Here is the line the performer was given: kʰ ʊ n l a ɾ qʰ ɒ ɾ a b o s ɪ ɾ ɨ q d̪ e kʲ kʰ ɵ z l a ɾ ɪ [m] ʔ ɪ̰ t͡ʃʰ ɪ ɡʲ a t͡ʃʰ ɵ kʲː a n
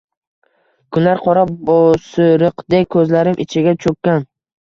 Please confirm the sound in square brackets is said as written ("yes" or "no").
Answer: yes